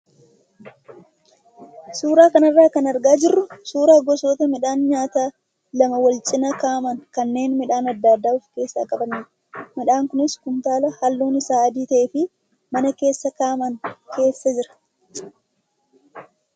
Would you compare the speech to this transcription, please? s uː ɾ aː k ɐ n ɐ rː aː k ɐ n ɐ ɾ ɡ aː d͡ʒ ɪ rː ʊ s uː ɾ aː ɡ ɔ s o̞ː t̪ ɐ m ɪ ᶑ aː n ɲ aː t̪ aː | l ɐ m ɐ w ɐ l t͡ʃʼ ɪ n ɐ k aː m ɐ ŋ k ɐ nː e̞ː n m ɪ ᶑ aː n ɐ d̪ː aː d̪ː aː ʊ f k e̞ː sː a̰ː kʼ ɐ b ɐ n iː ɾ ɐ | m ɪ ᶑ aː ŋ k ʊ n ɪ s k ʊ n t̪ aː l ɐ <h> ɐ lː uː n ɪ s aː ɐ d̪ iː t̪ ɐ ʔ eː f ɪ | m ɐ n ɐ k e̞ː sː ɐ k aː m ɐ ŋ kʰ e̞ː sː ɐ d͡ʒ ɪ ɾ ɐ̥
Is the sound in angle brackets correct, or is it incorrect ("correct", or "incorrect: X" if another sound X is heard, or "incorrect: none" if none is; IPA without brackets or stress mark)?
correct